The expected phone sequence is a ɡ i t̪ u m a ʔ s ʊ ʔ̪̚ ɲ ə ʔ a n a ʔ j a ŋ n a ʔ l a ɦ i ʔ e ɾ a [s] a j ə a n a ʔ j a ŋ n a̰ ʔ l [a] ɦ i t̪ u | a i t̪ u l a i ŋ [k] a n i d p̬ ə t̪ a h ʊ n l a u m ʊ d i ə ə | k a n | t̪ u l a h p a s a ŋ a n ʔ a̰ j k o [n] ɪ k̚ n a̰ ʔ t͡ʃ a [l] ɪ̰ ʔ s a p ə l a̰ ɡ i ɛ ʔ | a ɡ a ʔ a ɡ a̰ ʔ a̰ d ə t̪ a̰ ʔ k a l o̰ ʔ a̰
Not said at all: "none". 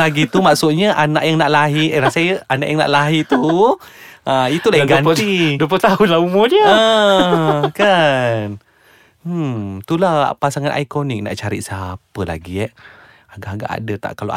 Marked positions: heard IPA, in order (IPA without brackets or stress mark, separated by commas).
s, a, ɡ, n, ɾ